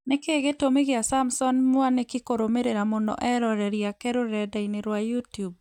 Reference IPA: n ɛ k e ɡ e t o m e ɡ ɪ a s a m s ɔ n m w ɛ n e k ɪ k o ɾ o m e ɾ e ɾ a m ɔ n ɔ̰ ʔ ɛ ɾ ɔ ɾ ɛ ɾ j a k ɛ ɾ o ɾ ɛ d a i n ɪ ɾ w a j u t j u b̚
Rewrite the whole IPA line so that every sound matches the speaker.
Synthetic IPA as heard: n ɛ k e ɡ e t o m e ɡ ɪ a s a m s ɔ n m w a n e k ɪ k o ɾ o m e ɾ e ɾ a m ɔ n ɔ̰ ʔ ɛ ɾ ɔ ɾ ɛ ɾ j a k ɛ ɾ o ɾ ɛ d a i n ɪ ɾ w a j u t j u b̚